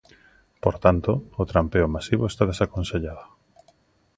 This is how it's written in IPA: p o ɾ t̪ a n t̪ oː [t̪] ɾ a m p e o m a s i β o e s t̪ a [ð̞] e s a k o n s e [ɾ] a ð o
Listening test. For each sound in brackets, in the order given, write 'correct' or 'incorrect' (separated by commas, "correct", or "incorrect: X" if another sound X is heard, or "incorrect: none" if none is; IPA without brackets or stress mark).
correct, correct, incorrect: ʎ